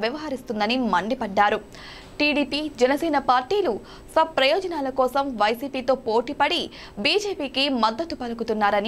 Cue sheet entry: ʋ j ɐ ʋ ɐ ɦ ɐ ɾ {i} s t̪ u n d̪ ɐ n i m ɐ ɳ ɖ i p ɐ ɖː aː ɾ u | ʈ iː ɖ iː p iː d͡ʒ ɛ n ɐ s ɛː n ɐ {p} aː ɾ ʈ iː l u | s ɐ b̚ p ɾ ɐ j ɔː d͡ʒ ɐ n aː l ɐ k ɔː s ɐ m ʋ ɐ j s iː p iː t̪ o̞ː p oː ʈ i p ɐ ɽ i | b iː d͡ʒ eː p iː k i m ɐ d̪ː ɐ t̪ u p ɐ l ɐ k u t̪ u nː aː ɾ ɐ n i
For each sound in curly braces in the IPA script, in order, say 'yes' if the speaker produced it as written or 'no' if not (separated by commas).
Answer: yes, yes